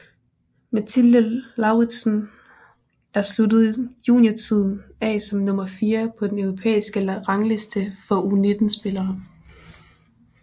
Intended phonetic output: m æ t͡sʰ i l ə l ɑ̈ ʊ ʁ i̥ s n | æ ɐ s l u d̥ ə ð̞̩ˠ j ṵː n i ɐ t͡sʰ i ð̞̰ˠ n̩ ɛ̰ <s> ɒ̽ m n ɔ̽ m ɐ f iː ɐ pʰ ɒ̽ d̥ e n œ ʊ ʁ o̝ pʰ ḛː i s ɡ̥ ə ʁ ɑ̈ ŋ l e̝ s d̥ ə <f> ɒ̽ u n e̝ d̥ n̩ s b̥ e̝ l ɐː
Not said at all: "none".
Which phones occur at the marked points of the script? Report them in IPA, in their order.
s, f

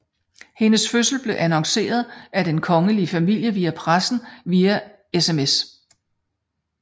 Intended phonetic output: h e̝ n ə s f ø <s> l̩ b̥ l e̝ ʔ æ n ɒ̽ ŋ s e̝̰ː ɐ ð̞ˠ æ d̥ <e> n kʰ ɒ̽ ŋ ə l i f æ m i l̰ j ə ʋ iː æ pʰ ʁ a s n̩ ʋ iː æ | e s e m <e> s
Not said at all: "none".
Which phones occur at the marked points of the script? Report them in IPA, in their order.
s, e, e

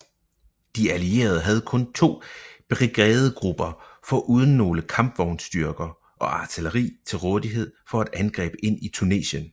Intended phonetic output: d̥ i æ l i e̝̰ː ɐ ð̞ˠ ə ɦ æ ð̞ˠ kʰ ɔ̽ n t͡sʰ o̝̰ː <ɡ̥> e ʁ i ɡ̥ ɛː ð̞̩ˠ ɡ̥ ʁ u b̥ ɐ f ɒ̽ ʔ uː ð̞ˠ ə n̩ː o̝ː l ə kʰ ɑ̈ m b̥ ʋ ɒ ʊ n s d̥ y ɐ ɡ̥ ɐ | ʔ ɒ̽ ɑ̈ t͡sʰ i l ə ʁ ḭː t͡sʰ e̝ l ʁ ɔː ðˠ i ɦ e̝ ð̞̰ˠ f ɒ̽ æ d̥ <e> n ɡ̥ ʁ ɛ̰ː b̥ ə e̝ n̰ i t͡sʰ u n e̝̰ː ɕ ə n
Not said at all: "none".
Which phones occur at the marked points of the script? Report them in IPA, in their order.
b̥, æ

